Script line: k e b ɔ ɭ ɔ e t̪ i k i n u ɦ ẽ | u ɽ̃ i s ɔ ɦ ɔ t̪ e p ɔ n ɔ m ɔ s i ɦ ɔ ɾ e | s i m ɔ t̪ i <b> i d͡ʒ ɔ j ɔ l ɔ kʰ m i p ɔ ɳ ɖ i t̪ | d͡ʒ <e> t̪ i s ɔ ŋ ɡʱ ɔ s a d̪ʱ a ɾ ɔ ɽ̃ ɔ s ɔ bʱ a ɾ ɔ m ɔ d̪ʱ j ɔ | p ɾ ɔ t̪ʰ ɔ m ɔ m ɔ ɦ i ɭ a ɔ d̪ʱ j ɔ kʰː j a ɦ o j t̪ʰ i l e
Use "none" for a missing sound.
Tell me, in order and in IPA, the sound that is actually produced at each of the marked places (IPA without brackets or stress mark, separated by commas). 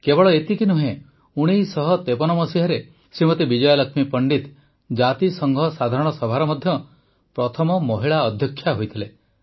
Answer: b, a